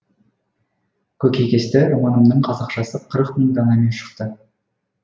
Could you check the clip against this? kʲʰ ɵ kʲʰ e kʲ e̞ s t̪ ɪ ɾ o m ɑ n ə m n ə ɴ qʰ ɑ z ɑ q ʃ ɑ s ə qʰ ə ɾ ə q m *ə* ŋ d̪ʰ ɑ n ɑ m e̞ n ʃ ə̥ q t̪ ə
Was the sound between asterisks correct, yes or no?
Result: yes